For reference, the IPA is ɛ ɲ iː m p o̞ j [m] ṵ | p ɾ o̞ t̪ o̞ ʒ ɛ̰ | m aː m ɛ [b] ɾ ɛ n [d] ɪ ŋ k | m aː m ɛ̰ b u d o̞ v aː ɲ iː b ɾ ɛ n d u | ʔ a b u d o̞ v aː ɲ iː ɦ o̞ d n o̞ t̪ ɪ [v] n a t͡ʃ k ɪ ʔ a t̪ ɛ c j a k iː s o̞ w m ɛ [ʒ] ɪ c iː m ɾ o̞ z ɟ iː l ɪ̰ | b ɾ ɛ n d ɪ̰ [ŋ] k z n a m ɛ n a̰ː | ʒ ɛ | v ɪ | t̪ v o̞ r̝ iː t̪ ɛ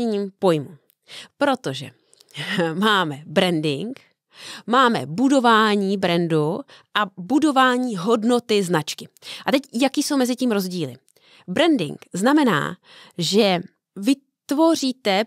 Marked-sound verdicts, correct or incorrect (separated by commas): correct, correct, correct, incorrect, incorrect, correct